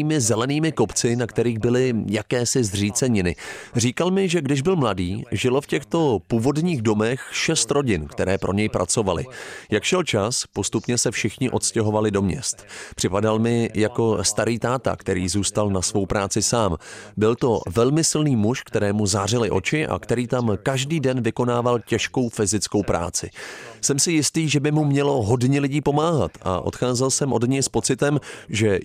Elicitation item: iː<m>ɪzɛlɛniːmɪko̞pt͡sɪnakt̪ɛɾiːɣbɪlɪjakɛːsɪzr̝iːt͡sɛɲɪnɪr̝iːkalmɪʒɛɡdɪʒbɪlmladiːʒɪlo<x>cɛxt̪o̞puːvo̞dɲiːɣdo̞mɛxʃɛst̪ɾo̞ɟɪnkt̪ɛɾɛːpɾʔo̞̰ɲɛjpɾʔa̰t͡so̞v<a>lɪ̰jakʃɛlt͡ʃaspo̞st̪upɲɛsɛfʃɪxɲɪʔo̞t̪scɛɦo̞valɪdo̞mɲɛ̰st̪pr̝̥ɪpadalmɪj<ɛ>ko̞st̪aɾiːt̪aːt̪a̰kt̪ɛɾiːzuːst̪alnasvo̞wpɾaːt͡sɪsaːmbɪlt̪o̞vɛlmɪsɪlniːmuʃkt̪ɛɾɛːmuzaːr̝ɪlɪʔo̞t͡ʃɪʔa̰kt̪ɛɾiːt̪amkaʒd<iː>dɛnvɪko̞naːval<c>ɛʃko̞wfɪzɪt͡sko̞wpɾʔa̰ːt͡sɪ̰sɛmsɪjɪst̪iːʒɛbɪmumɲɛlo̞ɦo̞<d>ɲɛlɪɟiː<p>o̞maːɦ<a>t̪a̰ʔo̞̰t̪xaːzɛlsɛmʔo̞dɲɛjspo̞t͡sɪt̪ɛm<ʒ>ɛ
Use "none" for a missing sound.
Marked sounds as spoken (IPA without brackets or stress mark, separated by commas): m, f, a, a, iː, c, d, p, a, ʒ